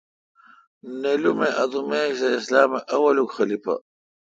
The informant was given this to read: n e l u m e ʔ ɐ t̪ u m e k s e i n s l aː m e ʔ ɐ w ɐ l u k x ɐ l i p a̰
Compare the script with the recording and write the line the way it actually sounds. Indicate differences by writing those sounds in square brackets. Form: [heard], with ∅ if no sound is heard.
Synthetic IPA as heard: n e l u m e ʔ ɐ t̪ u m e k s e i [∅] s l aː m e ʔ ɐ w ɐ l u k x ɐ l i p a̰

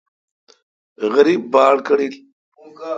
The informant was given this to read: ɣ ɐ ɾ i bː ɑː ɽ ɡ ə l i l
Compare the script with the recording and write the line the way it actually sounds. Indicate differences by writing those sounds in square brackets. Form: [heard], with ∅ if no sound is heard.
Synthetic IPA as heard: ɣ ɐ ɾ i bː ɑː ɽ [k] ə [ɽ] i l

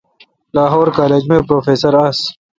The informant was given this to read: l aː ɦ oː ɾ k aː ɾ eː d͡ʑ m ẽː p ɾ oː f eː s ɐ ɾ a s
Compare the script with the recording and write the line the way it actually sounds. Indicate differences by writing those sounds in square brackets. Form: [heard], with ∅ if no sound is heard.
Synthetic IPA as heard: l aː ɦ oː ɾ k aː [l] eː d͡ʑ m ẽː p ɾ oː f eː s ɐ ɾ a s

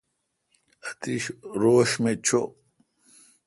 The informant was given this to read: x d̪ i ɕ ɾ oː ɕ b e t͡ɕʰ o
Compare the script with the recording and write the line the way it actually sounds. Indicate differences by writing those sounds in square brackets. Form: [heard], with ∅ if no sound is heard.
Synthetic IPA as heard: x [t̪] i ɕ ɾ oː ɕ [m] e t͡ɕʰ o

